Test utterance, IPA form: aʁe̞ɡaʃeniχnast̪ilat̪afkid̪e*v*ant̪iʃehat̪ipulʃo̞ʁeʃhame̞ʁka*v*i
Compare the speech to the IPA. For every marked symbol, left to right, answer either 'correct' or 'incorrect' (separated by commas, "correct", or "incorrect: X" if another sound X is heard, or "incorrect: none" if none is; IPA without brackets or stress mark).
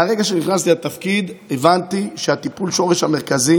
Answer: correct, incorrect: z